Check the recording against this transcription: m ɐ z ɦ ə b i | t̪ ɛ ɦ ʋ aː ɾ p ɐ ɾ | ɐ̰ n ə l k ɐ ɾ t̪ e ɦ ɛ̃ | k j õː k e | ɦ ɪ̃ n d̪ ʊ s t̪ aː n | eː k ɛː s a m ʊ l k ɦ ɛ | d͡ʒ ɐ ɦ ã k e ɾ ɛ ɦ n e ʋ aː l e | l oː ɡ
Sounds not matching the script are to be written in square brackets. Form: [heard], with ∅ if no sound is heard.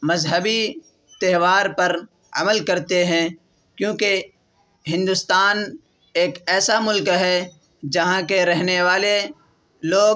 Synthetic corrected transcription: m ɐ z ɦ ə b i | t̪ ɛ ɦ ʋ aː ɾ p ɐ ɾ | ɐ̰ [m] ə l k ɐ ɾ t̪ e ɦ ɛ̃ | k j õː k e | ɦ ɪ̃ n d̪ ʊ s t̪ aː n | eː k ɛː s a m ʊ l k ɦ ɛ | d͡ʒ ɐ ɦ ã k e ɾ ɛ ɦ n e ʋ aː l e | l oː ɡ